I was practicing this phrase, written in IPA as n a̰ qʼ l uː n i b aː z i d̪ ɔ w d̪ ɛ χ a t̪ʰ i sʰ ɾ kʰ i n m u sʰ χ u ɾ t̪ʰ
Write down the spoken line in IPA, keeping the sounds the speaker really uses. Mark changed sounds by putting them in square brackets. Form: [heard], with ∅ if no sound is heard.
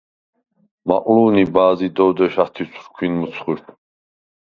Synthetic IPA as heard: [m] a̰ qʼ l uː n i b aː z i d̪ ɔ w d̪ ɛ [ʃ] a t̪ʰ i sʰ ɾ kʰ i n m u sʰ χ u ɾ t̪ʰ